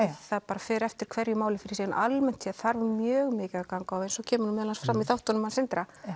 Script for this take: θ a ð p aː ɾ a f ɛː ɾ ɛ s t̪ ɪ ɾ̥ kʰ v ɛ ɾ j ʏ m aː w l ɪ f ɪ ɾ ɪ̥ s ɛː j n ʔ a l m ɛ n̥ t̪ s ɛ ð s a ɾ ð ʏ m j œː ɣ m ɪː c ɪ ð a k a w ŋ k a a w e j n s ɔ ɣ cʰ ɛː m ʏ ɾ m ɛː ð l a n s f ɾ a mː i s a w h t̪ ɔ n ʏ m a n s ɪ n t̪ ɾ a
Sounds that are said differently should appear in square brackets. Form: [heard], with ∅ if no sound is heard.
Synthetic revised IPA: θ a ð p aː ɾ a f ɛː ɾ ɛ [f] t̪ ɪ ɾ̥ kʰ v ɛ ɾ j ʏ m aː w l ɪ f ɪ ɾ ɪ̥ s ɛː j n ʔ a l m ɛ n̥ t̪ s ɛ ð [θ] a ɾ [v] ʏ m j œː ɣ m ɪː c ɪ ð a k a w ŋ k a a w e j n s ɔ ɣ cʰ ɛː m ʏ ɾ m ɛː ð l a n s f ɾ a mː i [θ] a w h t̪ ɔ n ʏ m a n s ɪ n t̪ ɾ a